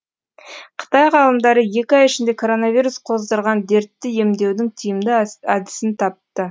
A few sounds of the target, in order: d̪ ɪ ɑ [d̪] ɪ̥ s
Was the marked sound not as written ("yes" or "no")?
no